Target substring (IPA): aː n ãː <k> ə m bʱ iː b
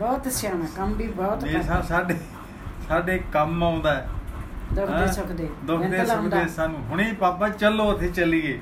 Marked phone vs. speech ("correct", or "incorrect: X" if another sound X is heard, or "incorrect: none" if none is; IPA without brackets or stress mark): correct